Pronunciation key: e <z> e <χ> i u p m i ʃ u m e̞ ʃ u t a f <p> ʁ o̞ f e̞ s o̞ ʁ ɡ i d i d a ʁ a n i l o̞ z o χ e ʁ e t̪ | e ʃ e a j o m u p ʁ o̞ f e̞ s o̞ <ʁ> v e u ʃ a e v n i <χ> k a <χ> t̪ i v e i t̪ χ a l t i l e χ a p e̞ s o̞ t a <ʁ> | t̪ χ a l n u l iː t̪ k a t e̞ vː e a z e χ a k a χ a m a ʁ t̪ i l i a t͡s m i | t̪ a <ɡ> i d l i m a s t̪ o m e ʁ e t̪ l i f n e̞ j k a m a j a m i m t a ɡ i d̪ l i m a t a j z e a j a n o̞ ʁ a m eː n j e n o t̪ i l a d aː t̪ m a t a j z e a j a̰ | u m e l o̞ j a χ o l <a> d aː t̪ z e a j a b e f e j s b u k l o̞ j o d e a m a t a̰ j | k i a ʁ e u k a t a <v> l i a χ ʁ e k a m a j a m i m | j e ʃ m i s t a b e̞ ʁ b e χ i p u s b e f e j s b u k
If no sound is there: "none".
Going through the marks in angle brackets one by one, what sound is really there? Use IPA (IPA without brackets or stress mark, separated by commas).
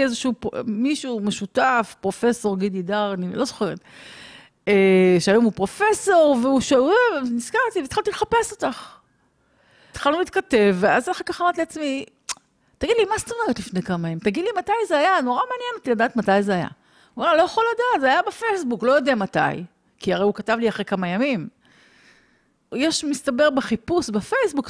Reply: z, ʃ, p, ʁ, s, ʁ, χ, ɡ, a, v